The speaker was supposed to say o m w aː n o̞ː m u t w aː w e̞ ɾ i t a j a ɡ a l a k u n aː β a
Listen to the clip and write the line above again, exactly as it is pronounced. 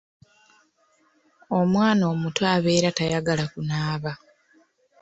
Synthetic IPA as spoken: o m w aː n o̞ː m u t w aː β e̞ ɾ a t a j a ɡ a l a k u n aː β a